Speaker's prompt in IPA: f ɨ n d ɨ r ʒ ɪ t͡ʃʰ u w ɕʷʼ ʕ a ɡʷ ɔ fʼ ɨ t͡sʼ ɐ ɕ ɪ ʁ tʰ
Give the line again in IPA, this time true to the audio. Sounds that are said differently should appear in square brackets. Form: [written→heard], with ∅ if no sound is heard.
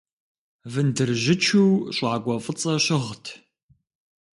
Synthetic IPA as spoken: [f→v] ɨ n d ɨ r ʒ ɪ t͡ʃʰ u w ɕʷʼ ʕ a ɡʷ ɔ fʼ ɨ t͡sʼ ɐ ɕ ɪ ʁ tʰ

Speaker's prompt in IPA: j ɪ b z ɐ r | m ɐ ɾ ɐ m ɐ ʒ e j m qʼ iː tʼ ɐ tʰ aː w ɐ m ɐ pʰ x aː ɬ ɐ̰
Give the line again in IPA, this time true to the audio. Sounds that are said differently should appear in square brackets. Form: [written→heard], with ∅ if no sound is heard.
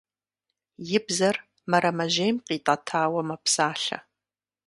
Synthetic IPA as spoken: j ɪ b z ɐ r | m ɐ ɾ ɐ m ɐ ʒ e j m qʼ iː tʼ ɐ tʰ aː w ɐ m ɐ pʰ [x→s] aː ɬ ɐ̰

